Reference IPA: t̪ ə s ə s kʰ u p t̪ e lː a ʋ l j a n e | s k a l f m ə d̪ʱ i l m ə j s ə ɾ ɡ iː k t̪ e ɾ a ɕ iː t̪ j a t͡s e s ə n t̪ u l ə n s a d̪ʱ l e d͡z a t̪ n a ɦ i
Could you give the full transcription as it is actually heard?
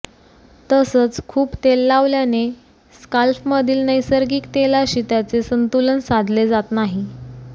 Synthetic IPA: t̪ ə s ə t͡s kʰ uː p t̪ e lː a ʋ l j a n e | s k a l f m ə d̪ʱ iː l n ə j s ə ɾ ɡ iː k t̪ e l a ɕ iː t̪ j a t͡s e s ə n t̪ u l ə n s a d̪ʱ l e d͡z a t̪ n a ɦ i

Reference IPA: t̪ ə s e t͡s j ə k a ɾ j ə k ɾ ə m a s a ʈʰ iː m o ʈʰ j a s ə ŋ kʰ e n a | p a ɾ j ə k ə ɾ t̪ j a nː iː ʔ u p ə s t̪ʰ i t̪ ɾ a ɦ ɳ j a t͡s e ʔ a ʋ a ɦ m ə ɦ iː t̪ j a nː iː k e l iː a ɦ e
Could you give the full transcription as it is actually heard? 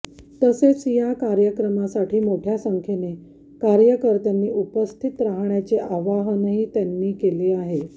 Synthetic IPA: t̪ ə s e t͡s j a k a ɾ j ə k ɾ ə m a s a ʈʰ iː m o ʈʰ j a s ə ŋ kʰ e n e | k a ɾ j ə k ə ɾ t̪ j a nː iː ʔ u p ə s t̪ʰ i t̪ ɾ a ɦ ɳ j a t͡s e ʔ a ʋ a ɦ n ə ɦ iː t̪ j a nː iː k e l iː a ɦ e

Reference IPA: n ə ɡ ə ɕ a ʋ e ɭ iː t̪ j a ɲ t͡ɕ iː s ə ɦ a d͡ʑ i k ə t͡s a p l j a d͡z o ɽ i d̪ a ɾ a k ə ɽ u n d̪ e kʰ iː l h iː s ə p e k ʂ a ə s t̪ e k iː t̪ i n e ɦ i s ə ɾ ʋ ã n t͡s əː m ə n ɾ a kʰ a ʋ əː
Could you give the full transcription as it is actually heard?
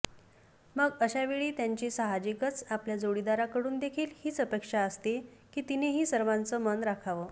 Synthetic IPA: m ə ɡ ə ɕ a ʋ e ɭ iː t̪ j a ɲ t͡ɕ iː s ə ɦ a d͡ʑ i k ə t͡s a p l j a d͡z o ɽ i d̪ a ɾ a k ə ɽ uː n d̪ e kʰ iː l h iː t͡s ə p e k ʂ a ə s t̪ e k iː t̪ i n e ɦ iː s ə ɾ ʋ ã n t͡s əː m ə n ɾ a kʰ a ʋ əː

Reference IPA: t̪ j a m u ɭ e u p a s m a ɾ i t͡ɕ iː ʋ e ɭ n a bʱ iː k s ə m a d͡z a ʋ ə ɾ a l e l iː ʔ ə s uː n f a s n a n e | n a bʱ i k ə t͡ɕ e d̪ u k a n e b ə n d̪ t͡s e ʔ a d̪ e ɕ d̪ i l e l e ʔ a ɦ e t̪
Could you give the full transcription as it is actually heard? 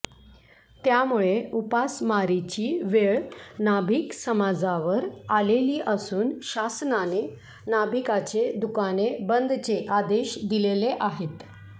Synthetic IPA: t̪ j a m u ɭ e u p a s m a ɾ i t͡ɕ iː ʋ e ɭ n a bʱ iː k s ə m a d͡z a ʋ ə ɾ a l e l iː ʔ ə s uː n ɕ a s n a n e | n a bʱ i k a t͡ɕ e d̪ u k a n e b ə n d̪ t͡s e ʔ a d̪ e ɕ d̪ i l e l e ʔ a ɦ e t̪

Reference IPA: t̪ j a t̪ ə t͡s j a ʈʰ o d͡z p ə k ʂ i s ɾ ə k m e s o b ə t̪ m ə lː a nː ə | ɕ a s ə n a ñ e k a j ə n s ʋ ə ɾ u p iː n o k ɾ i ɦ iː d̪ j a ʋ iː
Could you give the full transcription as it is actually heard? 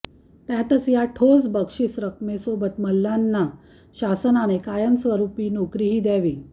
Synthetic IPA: t̪ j a t̪ ə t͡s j a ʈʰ o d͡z b ə k ʂ i s ɾ ə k m e s o b ə t̪ m ə lː a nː a | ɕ a s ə n a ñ e k a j ə n s ʋ ə ɾ u p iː n o k ɾ i ɦ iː d̪ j a ʋ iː

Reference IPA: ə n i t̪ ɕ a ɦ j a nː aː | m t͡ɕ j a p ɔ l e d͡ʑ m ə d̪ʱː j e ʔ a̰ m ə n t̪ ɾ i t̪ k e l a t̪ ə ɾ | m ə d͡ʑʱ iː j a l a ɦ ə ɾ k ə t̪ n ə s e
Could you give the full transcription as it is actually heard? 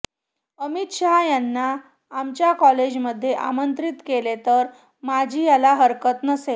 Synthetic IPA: ə m i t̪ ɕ a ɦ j a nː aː | m t͡ɕ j a k ɔ l e d͡ʑ m ə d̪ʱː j e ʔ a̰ m ə n t̪ ɾ i t̪ k e l e t̪ ə ɾ | m a d͡ʑʱ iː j a l a ɦ ə ɾ k ə t̪ n ə s e

